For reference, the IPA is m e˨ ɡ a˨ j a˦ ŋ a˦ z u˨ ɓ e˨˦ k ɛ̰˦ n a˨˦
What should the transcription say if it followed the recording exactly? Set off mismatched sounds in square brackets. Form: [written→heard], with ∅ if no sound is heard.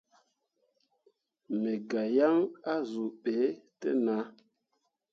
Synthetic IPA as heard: m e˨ ɡ a˨ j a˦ ŋ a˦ z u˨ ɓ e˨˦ [k→t] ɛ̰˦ n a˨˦